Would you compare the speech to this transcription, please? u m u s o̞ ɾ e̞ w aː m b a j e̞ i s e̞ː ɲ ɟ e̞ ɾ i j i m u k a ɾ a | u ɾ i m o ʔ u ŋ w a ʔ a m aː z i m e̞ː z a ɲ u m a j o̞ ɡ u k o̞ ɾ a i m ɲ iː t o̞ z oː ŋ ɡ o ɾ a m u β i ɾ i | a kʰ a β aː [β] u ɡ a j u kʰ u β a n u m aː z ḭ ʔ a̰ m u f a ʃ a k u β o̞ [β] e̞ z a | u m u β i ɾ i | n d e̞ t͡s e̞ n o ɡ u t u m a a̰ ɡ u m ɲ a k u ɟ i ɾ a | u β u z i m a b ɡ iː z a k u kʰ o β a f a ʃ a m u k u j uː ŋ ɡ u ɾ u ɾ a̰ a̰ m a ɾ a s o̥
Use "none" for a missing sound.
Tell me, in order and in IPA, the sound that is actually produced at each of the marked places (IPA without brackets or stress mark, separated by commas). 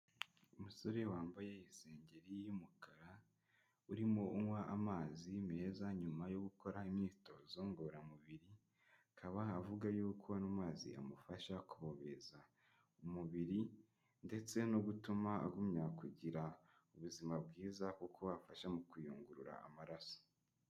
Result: v, β